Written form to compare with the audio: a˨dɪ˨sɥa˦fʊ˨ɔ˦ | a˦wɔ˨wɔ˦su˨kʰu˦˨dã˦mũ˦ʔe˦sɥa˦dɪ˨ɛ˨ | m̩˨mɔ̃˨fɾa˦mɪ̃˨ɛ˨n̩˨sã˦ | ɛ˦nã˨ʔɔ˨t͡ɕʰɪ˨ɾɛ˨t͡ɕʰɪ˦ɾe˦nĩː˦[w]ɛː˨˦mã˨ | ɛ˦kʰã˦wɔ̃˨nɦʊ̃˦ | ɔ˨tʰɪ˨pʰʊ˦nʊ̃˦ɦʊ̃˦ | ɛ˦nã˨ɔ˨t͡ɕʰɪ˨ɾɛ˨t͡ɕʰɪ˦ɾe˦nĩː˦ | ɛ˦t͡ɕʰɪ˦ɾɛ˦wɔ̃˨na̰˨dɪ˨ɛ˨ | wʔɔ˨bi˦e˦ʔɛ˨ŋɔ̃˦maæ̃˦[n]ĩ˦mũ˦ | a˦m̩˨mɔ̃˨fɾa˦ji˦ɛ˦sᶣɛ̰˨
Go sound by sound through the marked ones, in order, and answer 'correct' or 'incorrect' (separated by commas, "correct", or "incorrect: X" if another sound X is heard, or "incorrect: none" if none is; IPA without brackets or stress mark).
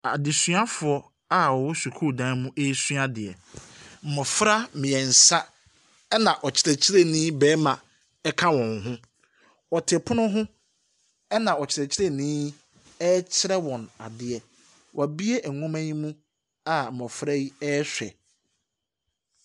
incorrect: b, incorrect: ɲ